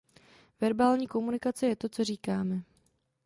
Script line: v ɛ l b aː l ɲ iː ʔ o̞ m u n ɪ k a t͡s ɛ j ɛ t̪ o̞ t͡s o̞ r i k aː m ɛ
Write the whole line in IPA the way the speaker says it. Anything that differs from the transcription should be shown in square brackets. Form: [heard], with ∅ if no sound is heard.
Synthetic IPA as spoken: v ɛ [ɾ] b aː l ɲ iː [k] o̞ m u n ɪ k a t͡s ɛ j ɛ t̪ o̞ t͡s o̞ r [iː] k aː m ɛ